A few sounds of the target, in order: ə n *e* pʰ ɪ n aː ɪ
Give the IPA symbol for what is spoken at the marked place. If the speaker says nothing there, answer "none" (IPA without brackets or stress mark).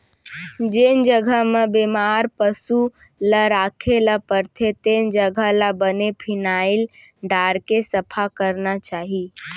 e